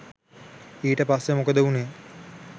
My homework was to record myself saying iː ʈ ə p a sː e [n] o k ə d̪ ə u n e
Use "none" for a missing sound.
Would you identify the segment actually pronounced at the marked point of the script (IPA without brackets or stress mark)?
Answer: m